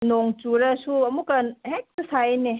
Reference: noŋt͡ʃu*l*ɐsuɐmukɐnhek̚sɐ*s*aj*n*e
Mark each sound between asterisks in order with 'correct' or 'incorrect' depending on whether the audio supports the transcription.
incorrect: ɾ, correct, correct

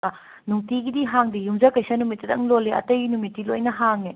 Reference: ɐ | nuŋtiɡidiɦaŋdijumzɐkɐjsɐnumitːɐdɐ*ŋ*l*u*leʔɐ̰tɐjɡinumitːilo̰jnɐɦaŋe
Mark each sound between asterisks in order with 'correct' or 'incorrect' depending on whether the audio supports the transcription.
correct, incorrect: o

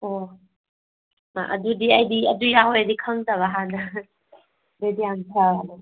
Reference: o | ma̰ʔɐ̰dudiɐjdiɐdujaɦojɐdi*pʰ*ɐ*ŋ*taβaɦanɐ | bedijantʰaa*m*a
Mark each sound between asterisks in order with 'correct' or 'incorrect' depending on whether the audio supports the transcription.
incorrect: kʰ, correct, incorrect: n

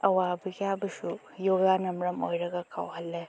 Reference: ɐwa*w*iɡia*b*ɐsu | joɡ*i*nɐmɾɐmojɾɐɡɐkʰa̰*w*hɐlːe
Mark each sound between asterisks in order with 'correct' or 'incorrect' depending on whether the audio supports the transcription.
incorrect: b, correct, incorrect: a, correct

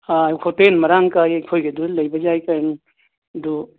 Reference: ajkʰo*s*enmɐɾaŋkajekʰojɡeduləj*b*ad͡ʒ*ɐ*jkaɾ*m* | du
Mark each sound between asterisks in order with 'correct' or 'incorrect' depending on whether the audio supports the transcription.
incorrect: t, correct, incorrect: a, incorrect: n

